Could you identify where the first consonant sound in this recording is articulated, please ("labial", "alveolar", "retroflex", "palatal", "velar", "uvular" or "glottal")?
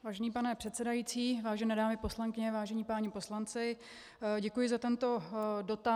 labial